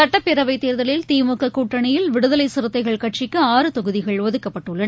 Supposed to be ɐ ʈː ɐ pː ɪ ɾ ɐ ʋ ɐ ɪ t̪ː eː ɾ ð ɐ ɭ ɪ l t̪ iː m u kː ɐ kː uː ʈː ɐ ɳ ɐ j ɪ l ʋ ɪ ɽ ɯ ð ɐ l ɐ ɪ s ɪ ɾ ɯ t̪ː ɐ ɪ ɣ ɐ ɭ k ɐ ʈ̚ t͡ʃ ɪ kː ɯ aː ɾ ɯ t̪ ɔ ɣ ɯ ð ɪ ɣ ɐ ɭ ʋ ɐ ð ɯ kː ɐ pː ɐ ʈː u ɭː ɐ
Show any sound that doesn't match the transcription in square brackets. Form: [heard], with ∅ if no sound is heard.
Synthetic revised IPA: ɐ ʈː ɐ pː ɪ ɾ ɐ ʋ ɐ ɪ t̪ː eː ɾ ð ɐ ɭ ɪ l t̪ iː m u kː ɐ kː uː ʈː ɐ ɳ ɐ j ɪ l ʋ ɪ ɽ ɯ ð ɐ l ɐ ɪ s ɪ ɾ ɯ t̪ː ɐ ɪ ɣ ɐ ɭ k ɐ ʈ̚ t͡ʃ ɪ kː ɯ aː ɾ ɯ t̪ ɔ ɣ ɯ ð ɪ ɣ ɐ ɭ ʋ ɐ ð ɯ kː ɐ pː ɐ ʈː [ɯ] ɭː ɐ